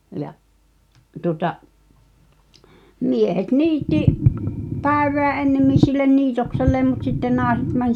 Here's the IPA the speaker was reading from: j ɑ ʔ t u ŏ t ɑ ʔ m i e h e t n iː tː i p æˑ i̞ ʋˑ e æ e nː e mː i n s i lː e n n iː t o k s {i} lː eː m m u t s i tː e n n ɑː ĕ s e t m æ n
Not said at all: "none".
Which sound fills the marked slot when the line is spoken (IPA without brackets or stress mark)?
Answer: e